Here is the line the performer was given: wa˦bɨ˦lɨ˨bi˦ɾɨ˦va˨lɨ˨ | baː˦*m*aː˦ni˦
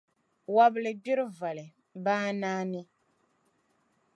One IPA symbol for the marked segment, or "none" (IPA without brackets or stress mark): n